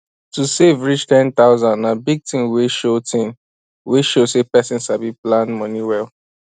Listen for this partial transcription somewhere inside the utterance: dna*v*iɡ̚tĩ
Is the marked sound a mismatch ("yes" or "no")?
yes